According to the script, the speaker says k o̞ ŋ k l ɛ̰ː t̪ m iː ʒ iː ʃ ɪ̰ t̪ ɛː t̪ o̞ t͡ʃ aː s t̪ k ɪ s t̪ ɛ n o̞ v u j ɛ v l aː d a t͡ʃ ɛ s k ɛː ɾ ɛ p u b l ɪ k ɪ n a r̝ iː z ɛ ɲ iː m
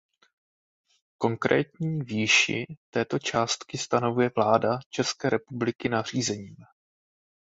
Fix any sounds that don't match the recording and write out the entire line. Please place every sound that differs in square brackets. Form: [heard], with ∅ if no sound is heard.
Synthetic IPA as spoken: k o̞ ŋ k [ɾ] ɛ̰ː t̪ [ɲ] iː [v] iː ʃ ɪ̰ t̪ ɛː t̪ o̞ t͡ʃ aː s t̪ k ɪ s t̪ [a] n o̞ v u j ɛ v l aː d a t͡ʃ ɛ s k ɛː ɾ ɛ p u b l ɪ k ɪ n a r̝ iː z ɛ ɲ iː m